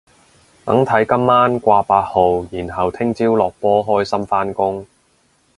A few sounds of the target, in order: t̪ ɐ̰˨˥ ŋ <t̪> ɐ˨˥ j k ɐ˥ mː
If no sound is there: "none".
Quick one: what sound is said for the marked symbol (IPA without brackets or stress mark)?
t̪ʰ